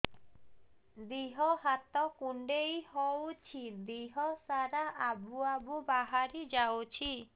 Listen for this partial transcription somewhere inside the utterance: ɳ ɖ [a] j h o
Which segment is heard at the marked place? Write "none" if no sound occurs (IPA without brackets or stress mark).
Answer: e